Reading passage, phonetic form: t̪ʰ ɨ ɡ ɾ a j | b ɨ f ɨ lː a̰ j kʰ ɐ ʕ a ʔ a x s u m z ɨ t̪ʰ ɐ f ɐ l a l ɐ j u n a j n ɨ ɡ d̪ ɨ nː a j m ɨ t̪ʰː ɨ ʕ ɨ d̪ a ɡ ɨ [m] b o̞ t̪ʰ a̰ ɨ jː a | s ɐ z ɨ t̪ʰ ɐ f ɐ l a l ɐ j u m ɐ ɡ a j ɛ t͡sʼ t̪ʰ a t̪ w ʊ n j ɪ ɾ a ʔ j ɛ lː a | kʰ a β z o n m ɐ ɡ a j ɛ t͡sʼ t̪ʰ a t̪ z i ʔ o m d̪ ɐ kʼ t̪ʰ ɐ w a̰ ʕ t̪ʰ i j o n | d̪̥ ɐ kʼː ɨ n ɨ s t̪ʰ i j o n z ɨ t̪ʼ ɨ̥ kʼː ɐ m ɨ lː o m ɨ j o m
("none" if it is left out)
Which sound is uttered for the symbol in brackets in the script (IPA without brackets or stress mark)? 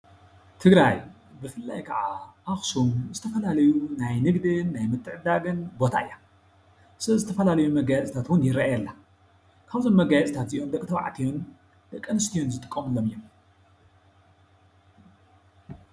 n